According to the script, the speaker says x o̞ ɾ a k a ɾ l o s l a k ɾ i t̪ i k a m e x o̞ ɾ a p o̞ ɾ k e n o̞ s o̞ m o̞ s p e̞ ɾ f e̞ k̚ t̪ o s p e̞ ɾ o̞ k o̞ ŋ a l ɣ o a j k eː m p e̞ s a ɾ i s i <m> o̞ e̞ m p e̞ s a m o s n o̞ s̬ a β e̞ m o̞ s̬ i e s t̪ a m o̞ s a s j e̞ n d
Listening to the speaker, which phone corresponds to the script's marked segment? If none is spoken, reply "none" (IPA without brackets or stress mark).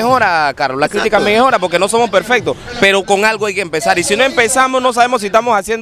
n